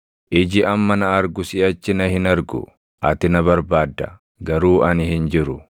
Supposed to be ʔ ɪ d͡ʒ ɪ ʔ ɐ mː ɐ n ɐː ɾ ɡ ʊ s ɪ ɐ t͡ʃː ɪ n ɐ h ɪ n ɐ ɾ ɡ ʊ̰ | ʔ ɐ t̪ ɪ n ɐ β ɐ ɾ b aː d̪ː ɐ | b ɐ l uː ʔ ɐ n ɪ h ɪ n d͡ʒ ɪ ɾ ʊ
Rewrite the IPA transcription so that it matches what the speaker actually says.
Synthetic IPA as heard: ʔ ɪ d͡ʒ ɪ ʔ ɐ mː ɐ n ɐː ɾ ɡ ʊ s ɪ ɐ t͡ʃː ɪ n ɐ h ɪ n ɐ ɾ ɡ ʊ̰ | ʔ ɐ t̪ ɪ n ɐ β ɐ ɾ b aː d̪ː ɐ | ɡ ɐ ɾ uː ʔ ɐ n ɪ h ɪ n d͡ʒ ɪ ɾ ʊ